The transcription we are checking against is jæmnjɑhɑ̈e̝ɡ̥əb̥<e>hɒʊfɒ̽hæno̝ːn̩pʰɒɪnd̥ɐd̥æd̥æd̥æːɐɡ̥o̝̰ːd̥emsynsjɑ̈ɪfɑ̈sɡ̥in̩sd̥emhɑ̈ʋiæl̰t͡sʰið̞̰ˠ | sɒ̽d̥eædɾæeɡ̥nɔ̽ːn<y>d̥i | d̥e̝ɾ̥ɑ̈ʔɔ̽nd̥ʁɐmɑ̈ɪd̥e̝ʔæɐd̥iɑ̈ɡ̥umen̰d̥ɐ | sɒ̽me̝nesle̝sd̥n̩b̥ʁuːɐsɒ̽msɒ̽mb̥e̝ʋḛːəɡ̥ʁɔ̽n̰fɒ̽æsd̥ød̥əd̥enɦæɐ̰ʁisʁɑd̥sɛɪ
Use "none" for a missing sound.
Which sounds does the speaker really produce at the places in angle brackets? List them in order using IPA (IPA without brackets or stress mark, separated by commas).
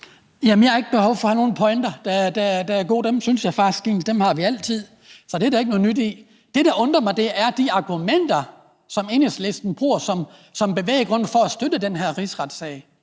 e, y